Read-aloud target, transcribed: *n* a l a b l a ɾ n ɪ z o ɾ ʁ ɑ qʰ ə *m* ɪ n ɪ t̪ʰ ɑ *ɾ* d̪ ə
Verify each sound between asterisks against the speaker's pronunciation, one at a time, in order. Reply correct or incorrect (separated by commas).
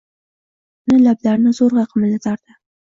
correct, correct, correct